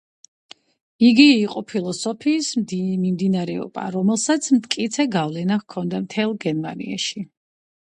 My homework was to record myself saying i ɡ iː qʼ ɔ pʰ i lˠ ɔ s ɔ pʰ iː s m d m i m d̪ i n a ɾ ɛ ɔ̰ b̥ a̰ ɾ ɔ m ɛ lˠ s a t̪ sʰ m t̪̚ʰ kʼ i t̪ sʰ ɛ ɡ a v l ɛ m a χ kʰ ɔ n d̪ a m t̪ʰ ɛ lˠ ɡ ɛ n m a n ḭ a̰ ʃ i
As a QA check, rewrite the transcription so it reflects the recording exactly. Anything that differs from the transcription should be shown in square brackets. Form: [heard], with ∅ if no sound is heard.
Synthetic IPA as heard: i ɡ iː qʼ ɔ pʰ i lˠ ɔ s ɔ pʰ iː s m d m i m d̪ i n a ɾ ɛ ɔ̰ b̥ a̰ ɾ ɔ m ɛ lˠ s a t̪ sʰ m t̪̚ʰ kʼ i t̪ sʰ ɛ ɡ a v l ɛ [n] a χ kʰ ɔ n d̪ a m t̪ʰ ɛ lˠ ɡ ɛ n m a n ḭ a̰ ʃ i